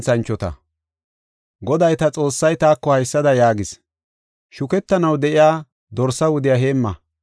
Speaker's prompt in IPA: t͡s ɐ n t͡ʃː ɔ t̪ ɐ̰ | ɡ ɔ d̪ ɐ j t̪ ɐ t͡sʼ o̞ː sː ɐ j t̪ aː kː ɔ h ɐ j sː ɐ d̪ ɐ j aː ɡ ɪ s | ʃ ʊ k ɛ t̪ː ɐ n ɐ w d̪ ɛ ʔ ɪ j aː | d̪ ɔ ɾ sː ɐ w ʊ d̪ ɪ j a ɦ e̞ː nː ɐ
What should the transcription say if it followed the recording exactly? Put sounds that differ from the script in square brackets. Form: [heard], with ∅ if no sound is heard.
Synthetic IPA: t͡s ɐ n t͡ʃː ɔ t̪ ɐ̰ | ɡ ɔ d̪ ɐ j t̪ ɐ t͡sʼ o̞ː sː ɐ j t̪ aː kː ɔ h ɐ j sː ɐ d̪ ɐ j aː ɡ ɪ s | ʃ ʊ k ɛ t̪ː ɐ n ɐ w d̪ ɛ ʔ ɪ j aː | d̪ ɔ ɾ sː ɐ w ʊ d̪ ɪ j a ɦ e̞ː [mː] ɐ

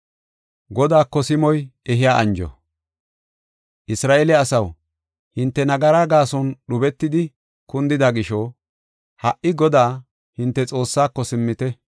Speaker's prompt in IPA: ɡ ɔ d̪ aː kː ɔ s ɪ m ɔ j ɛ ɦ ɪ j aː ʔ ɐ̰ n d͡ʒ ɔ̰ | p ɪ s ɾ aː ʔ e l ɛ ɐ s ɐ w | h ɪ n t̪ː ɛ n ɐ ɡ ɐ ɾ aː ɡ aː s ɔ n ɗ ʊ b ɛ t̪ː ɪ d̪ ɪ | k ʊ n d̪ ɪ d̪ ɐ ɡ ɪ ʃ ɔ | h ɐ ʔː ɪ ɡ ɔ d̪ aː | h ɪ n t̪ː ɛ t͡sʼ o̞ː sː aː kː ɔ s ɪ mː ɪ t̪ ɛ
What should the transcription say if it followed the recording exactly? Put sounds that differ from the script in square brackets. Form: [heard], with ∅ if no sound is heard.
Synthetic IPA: ɡ ɔ d̪ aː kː ɔ s ɪ m ɔ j ɛ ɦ ɪ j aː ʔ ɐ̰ n d͡ʒ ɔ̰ | [ʔ] ɪ s ɾ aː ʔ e l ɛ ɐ s ɐ w | h ɪ n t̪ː ɛ n ɐ ɡ ɐ ɾ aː ɡ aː s ɔ n ɗ ʊ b ɛ t̪ː ɪ d̪ ɪ | k ʊ n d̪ ɪ d̪ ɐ ɡ ɪ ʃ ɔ | h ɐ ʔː ɪ ɡ ɔ d̪ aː | h ɪ n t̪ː ɛ t͡sʼ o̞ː sː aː kː ɔ s ɪ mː ɪ t̪ ɛ

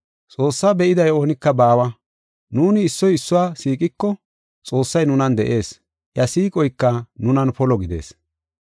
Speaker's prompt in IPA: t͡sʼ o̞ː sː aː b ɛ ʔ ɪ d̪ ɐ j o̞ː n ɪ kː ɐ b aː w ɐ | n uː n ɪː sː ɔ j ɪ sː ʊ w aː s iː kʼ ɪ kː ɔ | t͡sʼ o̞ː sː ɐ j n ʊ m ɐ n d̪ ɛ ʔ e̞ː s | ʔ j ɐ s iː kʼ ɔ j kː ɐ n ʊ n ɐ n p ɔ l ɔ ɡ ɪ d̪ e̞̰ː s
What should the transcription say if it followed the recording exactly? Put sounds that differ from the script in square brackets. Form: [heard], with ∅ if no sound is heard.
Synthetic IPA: t͡sʼ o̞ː sː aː b ɛ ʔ ɪ d̪ ɐ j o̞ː n ɪ kː ɐ b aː w ɐ | n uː n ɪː sː ɔ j ɪ sː ʊ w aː s iː kʼ ɪ kː ɔ | t͡sʼ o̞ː sː ɐ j n ʊ [n] ɐ n d̪ ɛ ʔ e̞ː s | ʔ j ɐ s iː kʼ ɔ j kː ɐ n ʊ n ɐ n p ɔ l ɔ ɡ ɪ d̪ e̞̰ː s

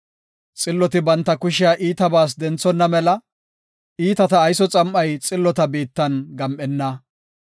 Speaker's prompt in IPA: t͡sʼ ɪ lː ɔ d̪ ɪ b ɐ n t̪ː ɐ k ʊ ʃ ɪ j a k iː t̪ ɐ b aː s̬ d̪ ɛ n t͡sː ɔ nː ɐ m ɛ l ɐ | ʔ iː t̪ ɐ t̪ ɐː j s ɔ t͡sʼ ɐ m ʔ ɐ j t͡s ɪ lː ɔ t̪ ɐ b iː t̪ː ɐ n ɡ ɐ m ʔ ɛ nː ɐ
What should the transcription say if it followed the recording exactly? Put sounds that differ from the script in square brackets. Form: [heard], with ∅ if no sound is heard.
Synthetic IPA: t͡sʼ ɪ lː ɔ [t̪] ɪ b ɐ n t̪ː ɐ k ʊ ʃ ɪ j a [ʔ] iː t̪ ɐ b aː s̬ d̪ ɛ n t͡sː ɔ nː ɐ m ɛ l ɐ | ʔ iː t̪ ɐ t̪ ɐː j s ɔ t͡sʼ ɐ m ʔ ɐ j [t͡sʼ] ɪ lː ɔ t̪ ɐ b iː t̪ː ɐ n ɡ ɐ m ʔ ɛ nː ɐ

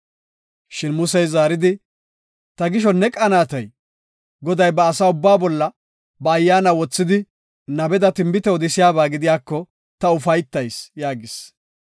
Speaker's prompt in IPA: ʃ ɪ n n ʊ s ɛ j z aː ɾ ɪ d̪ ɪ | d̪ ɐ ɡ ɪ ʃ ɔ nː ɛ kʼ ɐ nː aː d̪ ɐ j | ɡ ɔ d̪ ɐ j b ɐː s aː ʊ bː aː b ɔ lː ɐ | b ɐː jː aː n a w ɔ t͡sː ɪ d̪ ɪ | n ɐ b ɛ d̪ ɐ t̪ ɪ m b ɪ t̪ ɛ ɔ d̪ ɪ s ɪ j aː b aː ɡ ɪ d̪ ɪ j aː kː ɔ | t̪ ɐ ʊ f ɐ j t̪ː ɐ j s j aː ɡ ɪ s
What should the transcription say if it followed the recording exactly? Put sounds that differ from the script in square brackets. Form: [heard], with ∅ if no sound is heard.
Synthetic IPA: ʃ ɪ n [m] ʊ s ɛ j z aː ɾ ɪ d̪ ɪ | [t̪] ɐ ɡ ɪ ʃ ɔ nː ɛ kʼ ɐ [n] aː [t̪] ɐ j | ɡ ɔ d̪ ɐ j b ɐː s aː ʊ bː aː b ɔ lː ɐ | b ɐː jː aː n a w ɔ t͡sː ɪ d̪ ɪ | n ɐ b ɛ d̪ ɐ t̪ ɪ m b ɪ t̪ ɛ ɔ d̪ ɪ s ɪ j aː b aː ɡ ɪ d̪ ɪ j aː kː ɔ | t̪ ɐ ʊ f ɐ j t̪ː ɐ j s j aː ɡ ɪ s

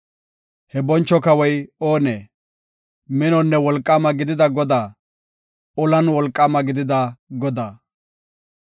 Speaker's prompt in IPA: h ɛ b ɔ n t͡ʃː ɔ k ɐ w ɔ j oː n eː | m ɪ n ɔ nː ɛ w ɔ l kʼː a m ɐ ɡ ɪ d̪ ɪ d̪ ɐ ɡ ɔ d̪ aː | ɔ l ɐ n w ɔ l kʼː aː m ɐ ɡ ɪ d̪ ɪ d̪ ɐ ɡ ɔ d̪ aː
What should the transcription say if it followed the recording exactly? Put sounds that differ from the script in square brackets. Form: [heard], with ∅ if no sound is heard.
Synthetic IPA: h ɛ b ɔ n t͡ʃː ɔ k ɐ w ɔ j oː n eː | m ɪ n ɔ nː ɛ w ɔ l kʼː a m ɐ ɡ ɪ d̪ ɪ d̪ ɐ ɡ ɔ d̪ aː | ɔ l ɐ n w ɔ l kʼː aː m ɐ ɡ ɪ d̪ ɪ d̪ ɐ ɡ ɔ d̪ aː

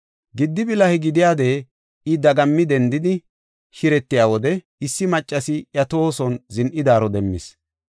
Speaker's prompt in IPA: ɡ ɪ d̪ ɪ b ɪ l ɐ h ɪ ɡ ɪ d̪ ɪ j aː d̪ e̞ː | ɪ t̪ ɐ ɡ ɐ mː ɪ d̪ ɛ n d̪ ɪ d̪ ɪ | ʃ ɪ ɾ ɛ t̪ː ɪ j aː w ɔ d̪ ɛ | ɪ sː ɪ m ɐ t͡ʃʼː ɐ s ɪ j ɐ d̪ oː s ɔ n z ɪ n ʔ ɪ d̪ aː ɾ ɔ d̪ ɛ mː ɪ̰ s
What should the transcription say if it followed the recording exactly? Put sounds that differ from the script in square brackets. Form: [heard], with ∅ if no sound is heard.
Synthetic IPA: ɡ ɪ [d̪ː] ɪ b ɪ l ɐ h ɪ ɡ ɪ d̪ ɪ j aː d̪ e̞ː | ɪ [d̪] ɐ ɡ ɐ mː ɪ d̪ ɛ n d̪ ɪ d̪ ɪ | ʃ ɪ ɾ ɛ t̪ː ɪ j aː w ɔ d̪ ɛ | ɪ sː ɪ m ɐ t͡ʃʼː ɐ s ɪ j ɐ [t̪] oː s ɔ n z ɪ n ʔ ɪ d̪ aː ɾ ɔ d̪ ɛ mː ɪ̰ s

